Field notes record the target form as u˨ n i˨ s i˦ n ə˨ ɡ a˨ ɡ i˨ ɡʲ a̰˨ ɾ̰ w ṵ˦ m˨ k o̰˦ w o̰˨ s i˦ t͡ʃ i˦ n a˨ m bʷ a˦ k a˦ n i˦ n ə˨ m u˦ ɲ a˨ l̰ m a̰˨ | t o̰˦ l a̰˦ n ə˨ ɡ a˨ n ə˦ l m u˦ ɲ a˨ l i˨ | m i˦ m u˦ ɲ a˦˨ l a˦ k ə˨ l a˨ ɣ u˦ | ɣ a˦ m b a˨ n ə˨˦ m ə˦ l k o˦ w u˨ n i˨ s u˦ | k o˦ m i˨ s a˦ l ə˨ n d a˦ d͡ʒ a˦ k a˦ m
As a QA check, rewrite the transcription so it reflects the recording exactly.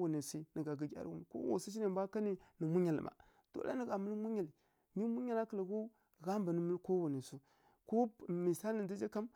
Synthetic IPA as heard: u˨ n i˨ s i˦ n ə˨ ɡ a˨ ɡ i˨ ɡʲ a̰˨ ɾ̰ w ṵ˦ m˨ k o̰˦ w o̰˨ s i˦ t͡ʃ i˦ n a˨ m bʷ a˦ k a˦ n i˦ n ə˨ m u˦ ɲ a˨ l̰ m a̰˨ | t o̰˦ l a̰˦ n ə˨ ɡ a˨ m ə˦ l m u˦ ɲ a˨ l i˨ | m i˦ m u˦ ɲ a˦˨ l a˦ k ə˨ l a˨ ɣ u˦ | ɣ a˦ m b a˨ n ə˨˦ m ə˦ l k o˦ w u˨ n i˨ s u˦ | k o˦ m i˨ s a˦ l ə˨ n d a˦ d͡ʒ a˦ k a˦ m